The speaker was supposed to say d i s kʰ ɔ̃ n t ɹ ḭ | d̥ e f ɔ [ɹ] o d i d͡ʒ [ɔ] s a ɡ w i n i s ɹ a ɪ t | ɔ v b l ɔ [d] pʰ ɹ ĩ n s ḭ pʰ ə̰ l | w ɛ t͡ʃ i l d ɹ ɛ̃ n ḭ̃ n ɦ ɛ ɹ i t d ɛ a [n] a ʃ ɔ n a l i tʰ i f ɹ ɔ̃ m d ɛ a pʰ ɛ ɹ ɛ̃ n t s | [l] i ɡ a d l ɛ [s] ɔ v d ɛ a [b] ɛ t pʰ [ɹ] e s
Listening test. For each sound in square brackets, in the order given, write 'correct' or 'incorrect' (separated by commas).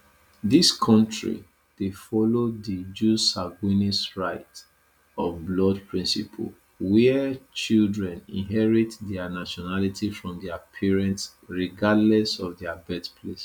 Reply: incorrect, incorrect, correct, correct, incorrect, correct, correct, incorrect